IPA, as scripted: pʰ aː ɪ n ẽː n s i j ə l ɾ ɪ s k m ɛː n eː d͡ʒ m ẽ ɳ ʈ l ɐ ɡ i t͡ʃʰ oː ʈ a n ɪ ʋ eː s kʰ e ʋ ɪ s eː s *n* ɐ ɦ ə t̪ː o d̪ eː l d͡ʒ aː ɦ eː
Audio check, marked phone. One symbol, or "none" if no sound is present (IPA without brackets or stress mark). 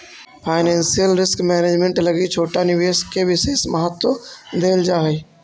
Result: m